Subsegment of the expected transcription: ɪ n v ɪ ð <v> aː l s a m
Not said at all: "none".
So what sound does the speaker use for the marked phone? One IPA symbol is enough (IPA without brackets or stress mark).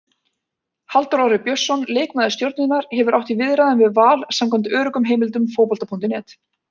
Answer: v